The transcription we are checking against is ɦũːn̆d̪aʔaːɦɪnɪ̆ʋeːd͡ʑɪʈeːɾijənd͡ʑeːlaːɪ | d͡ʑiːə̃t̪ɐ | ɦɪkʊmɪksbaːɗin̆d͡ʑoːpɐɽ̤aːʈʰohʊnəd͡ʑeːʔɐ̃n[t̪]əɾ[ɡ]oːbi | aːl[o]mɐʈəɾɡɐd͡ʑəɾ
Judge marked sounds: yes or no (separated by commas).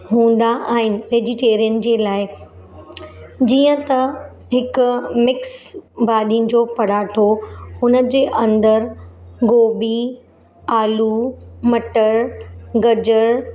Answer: no, yes, no